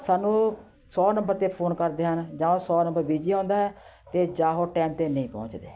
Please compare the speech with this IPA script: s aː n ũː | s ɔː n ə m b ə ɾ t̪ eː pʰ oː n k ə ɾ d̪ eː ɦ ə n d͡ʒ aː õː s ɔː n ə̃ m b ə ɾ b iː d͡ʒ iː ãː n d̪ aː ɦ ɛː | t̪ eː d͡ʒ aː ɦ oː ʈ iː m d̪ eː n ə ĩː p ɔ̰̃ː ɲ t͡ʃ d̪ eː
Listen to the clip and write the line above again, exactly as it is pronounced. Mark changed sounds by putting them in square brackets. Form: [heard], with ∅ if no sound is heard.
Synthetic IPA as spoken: s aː n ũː | s ɔː n ə m b ə ɾ t̪ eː pʰ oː n k ə ɾ d̪ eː ɦ ə n d͡ʒ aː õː s ɔː n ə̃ m b ə ɾ b iː d͡ʒ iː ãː n d̪ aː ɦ ɛː | t̪ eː d͡ʒ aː ɦ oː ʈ [ɛː] m [t̪] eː n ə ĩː p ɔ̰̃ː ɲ t͡ʃ d̪ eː

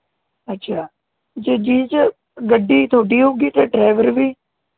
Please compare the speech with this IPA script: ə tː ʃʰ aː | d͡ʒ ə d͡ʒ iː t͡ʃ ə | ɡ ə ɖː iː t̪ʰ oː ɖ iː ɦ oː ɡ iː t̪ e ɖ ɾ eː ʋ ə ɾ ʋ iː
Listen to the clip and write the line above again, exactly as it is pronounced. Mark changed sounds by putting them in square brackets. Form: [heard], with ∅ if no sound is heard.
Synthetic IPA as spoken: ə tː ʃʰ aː | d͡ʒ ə d͡ʒ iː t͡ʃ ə | ɡ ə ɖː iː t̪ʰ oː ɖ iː ɦ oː ɡ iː t̪ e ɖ ɾ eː ʋ ə ɾ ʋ iː

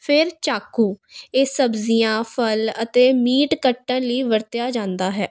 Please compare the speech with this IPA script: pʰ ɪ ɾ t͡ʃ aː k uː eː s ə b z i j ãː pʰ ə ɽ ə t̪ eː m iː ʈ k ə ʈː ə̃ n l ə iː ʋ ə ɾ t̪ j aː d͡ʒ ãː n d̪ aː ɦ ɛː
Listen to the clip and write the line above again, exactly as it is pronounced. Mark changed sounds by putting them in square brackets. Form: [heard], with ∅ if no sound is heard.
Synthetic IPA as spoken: pʰ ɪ ɾ t͡ʃ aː k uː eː s ə b z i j ãː pʰ ə [l] ə t̪ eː m iː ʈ k ə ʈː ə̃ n l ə iː ʋ ə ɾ t̪ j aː d͡ʒ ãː n d̪ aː ɦ ɛː

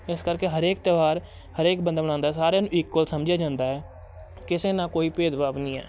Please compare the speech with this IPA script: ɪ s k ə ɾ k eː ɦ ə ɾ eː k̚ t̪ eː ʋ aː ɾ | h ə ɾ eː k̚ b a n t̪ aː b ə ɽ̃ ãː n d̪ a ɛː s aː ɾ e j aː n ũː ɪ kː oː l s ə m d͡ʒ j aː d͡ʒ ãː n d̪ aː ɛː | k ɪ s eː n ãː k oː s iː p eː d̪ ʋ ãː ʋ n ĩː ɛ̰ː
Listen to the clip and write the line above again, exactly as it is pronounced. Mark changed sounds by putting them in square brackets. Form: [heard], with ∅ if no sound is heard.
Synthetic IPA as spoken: ɪ s k ə ɾ k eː ɦ ə ɾ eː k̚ t̪ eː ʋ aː ɾ | h ə ɾ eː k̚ b [ə] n [d̪] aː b ə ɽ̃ ãː n d̪ a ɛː s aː ɾ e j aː n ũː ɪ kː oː l s ə m d͡ʒ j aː d͡ʒ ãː n d̪ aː ɛː | k ɪ s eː n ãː k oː [∅] iː p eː d̪ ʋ [aː] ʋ n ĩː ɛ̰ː

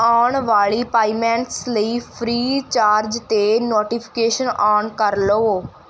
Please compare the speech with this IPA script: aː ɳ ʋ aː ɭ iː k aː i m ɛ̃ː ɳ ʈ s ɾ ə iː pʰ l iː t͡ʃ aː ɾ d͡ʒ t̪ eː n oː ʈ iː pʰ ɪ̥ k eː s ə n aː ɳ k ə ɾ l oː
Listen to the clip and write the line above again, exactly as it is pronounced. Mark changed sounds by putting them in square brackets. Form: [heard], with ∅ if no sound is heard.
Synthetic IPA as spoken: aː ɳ ʋ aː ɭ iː [p] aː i m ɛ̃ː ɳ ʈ s [l] ə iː pʰ [ɾ] iː t͡ʃ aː ɾ d͡ʒ t̪ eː n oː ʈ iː pʰ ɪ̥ k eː [ʃ] ə n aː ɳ k ə ɾ l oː

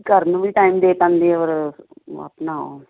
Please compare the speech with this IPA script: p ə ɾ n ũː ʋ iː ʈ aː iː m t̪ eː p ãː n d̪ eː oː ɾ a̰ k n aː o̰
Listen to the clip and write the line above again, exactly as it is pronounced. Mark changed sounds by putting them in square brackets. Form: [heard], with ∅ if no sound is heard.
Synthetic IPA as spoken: [k] ə ɾ n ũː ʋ iː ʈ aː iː m [d̪] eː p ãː n d̪ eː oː ɾ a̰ [p] n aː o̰

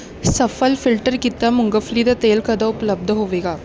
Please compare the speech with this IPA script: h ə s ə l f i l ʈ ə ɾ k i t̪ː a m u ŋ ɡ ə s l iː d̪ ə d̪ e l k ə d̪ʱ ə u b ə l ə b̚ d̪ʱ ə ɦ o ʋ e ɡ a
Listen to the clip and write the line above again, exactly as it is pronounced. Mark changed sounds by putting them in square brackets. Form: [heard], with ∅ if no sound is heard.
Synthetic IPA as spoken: [s] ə [f] ə l f i l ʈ ə ɾ k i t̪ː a m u ŋ ɡ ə [f] l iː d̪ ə [t̪] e l k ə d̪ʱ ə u [p] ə l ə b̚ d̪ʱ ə ɦ o ʋ e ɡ a

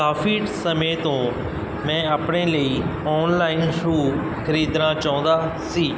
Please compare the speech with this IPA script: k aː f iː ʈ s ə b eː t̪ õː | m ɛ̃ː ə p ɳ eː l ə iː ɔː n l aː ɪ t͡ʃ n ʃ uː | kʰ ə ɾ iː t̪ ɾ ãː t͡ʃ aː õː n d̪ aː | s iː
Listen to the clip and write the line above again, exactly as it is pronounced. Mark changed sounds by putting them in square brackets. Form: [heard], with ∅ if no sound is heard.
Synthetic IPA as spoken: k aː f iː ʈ s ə [m] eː t̪ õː | m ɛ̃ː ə p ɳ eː l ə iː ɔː n l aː ɪ [∅] n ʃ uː | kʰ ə ɾ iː [d̪] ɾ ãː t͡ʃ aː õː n d̪ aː | s iː

